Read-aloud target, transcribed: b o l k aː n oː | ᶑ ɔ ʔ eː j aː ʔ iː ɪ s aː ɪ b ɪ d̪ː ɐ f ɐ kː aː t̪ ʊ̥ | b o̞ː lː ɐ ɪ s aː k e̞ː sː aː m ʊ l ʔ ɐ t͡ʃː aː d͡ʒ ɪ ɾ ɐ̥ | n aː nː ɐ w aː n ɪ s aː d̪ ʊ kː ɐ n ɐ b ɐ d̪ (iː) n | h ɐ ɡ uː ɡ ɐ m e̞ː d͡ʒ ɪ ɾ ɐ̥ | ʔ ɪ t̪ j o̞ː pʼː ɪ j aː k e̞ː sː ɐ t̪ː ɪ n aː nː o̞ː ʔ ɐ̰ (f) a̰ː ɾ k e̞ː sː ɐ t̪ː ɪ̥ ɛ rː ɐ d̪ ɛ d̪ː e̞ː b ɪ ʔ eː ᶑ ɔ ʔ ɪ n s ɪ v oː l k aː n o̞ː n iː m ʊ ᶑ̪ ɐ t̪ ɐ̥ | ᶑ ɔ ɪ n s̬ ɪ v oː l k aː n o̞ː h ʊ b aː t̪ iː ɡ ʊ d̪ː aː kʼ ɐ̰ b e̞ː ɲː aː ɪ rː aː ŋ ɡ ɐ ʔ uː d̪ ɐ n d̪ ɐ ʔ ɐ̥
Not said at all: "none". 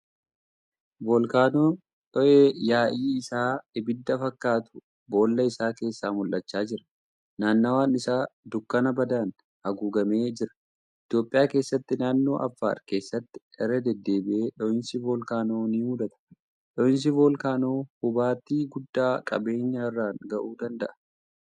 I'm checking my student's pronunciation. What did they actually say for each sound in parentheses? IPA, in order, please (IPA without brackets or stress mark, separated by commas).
aː, fː